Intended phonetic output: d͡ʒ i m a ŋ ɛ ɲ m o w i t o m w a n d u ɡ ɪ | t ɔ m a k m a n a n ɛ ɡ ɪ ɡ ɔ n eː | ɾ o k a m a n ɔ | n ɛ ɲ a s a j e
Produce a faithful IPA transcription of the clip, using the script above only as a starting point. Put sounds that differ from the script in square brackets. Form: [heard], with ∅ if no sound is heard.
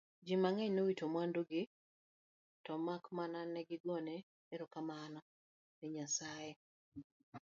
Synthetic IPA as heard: d͡ʒ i m a ŋ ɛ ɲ [n] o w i t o m w a n d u ɡ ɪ | t ɔ m a k m a n a n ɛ ɡ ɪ ɡ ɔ n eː | ɾ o k a m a n ɔ | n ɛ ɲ a s a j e

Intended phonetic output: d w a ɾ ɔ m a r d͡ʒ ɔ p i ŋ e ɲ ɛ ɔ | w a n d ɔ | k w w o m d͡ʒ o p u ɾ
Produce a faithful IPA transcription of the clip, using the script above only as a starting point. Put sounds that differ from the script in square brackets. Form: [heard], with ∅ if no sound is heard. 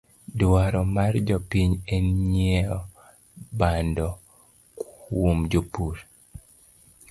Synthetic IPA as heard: d w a ɾ ɔ m a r d͡ʒ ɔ p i [ɲ] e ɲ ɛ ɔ | [b] a n d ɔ | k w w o m d͡ʒ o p u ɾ

